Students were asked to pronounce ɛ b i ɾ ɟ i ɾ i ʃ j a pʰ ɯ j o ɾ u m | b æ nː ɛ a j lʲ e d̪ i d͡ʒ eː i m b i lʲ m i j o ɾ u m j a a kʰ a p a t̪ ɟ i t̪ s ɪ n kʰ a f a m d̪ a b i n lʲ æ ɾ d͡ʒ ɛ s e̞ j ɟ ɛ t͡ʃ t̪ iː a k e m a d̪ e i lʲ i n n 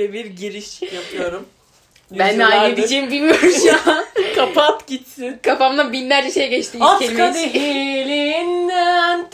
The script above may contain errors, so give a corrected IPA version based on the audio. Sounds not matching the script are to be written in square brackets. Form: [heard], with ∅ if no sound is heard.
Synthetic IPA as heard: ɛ b i ɾ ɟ i ɾ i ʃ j a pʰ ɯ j o ɾ u m | b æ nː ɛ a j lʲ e d̪ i d͡ʒ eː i m b i lʲ m i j o ɾ u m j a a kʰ a p a t̪ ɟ i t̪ s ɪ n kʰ a f a m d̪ a b i n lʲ æ ɾ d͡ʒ ɛ [ʃ] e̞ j ɟ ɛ t͡ʃ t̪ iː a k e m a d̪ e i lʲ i n n